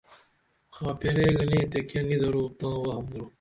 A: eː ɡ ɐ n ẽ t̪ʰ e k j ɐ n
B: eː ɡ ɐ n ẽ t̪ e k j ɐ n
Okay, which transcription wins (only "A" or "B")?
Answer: B